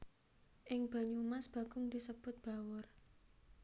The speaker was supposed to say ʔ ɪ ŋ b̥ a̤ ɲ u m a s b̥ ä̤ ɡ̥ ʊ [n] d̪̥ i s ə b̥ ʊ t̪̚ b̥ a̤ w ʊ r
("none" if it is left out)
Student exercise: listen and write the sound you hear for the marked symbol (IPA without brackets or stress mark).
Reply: ŋ